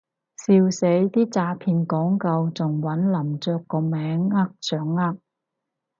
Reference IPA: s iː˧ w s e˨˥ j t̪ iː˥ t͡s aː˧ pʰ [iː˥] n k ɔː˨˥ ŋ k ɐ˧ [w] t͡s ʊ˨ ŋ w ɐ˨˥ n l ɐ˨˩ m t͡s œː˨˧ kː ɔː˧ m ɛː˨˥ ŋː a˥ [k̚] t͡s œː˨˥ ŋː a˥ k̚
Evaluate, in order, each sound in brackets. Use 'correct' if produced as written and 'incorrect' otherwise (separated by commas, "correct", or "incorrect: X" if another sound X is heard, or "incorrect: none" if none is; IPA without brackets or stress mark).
incorrect: iː˧, correct, correct